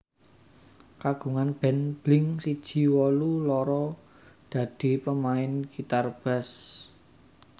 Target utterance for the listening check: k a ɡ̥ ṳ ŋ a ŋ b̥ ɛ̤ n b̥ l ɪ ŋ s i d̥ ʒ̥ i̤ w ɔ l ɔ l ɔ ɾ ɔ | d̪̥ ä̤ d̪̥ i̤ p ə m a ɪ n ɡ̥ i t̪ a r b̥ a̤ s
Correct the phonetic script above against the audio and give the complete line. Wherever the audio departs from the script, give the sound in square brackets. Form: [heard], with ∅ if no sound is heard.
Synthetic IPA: k a ɡ̥ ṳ ŋ a [n] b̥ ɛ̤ n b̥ l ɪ ŋ s i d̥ ʒ̥ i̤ w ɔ l [u] l ɔ ɾ ɔ | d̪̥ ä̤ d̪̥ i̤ p ə m a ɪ n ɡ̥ i t̪ a r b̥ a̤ s